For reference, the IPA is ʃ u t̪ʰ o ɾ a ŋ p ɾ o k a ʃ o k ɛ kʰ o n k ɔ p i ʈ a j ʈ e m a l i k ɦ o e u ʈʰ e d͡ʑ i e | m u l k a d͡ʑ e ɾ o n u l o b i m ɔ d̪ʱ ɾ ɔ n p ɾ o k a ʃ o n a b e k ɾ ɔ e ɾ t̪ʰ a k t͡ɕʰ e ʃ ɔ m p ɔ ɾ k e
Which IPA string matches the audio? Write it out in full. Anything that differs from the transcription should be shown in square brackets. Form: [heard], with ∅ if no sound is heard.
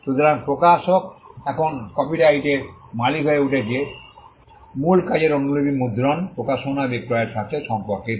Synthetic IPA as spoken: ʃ u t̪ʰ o ɾ a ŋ p ɾ o k a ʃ o k ɛ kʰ o n k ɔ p i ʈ a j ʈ e m a l i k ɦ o e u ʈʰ e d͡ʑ i e | m u l k a d͡ʑ e ɾ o n u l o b i m [u] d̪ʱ ɾ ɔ n p ɾ o k a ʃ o n a b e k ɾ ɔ e ɾ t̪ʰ a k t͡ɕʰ e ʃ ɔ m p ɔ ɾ k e